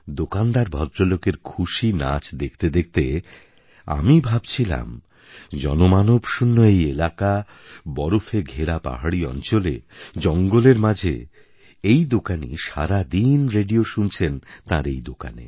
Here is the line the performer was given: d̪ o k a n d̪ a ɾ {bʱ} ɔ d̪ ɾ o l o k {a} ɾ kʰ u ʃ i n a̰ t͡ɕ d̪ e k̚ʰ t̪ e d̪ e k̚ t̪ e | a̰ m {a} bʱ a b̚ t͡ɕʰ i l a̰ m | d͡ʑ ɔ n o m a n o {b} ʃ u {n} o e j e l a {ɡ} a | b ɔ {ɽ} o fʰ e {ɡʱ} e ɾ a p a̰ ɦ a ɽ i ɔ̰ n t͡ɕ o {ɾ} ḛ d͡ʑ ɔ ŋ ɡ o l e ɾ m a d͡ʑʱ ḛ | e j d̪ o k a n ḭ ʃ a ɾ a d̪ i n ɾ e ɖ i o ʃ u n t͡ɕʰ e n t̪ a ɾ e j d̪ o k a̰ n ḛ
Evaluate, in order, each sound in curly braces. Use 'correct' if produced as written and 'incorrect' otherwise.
correct, incorrect, incorrect, correct, incorrect, incorrect, incorrect, correct, incorrect

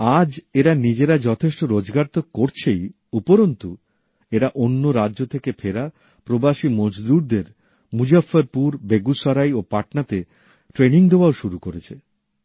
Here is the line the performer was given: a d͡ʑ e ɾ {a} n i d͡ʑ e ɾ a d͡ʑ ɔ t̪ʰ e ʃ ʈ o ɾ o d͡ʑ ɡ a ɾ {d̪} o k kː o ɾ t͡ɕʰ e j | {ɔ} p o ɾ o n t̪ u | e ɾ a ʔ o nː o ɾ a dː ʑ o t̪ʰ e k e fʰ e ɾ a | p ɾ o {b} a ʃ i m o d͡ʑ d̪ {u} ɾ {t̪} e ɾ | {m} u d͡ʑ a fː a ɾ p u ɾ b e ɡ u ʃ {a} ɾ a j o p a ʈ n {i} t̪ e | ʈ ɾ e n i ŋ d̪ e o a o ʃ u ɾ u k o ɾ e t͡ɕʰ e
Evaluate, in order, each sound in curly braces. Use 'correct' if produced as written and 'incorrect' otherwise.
correct, incorrect, incorrect, correct, correct, incorrect, correct, correct, incorrect

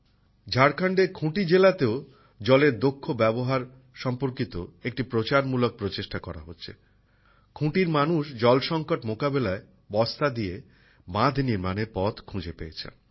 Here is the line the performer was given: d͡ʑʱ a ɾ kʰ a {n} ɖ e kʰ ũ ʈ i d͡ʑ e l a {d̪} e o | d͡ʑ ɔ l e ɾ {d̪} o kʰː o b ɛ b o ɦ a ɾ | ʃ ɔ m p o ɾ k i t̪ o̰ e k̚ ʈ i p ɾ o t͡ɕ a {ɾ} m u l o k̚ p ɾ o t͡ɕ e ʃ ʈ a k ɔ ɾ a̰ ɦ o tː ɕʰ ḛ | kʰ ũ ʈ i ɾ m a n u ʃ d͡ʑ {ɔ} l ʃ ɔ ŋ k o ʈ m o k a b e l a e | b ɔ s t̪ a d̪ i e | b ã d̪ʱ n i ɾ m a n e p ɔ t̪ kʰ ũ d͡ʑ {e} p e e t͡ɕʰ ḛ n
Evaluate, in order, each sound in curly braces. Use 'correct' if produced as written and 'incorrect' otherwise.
incorrect, incorrect, correct, correct, correct, correct

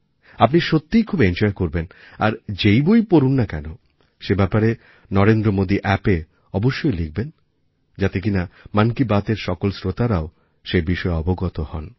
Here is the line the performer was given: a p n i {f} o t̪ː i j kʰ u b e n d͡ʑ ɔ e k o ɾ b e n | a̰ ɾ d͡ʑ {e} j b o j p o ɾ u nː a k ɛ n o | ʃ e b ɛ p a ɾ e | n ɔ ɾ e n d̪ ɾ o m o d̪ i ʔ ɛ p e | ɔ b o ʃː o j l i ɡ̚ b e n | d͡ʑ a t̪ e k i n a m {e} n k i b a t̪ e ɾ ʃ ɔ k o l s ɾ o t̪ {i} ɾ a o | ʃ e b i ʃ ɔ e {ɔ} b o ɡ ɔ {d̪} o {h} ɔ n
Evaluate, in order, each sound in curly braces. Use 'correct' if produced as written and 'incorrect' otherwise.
incorrect, correct, incorrect, incorrect, correct, incorrect, correct

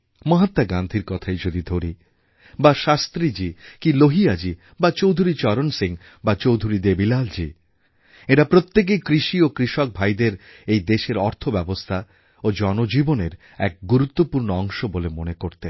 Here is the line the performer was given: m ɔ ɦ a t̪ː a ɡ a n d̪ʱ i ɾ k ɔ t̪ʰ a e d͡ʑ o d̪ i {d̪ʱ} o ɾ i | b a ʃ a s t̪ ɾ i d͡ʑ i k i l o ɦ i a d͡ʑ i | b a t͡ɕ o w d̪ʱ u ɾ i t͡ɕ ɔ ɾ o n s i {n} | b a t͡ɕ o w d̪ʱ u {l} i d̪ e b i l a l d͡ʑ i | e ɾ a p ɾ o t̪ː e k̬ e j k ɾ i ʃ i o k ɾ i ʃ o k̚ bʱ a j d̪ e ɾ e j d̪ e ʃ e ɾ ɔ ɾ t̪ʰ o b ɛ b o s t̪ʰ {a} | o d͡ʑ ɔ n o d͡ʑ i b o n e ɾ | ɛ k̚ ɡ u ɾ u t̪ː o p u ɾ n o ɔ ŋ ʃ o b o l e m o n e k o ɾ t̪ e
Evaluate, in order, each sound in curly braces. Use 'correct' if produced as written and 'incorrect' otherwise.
correct, incorrect, incorrect, correct

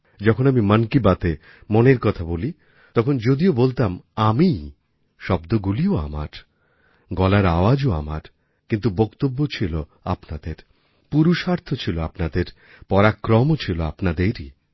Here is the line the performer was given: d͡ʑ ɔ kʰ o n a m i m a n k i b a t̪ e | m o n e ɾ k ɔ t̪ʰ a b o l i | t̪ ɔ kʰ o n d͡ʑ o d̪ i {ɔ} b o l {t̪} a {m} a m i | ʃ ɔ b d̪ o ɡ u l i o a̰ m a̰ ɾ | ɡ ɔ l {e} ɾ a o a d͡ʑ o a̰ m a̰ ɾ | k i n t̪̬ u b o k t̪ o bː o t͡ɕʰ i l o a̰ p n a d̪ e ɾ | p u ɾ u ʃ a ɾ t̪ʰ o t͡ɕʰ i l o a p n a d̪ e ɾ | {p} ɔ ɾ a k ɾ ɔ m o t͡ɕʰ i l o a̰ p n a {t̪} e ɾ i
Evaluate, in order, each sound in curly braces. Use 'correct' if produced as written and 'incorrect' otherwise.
incorrect, correct, correct, incorrect, correct, incorrect

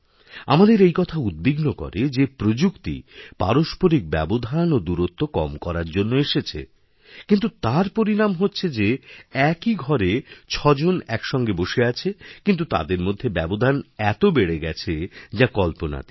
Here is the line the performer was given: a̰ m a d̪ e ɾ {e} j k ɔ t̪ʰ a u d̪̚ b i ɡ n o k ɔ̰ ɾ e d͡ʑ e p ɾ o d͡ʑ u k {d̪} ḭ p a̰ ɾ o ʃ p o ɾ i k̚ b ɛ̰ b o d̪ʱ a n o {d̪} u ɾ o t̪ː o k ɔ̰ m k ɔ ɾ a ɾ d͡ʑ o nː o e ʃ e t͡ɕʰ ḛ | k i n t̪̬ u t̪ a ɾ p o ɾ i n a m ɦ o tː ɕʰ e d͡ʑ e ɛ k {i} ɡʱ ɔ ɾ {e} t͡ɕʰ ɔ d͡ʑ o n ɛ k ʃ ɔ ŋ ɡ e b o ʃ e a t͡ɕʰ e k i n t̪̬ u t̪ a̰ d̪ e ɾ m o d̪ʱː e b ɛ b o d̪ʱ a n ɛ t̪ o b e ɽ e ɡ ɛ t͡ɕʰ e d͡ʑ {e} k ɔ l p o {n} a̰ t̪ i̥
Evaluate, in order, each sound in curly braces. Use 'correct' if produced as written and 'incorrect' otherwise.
correct, incorrect, correct, correct, correct, incorrect, correct

